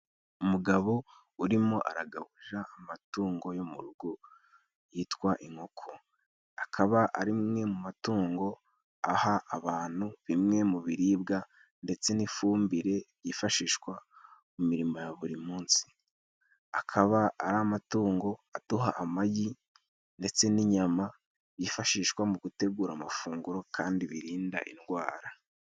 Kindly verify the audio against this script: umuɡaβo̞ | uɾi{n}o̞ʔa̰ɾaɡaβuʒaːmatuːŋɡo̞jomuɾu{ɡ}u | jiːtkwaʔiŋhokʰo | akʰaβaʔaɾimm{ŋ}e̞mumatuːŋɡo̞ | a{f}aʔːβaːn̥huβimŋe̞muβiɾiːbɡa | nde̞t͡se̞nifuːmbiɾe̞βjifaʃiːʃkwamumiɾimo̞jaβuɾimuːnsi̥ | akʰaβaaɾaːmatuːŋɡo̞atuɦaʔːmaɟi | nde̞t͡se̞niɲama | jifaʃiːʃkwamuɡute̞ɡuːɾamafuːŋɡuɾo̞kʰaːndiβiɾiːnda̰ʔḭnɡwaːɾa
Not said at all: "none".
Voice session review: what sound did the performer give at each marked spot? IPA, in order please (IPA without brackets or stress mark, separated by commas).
m, ɡ, ŋ, h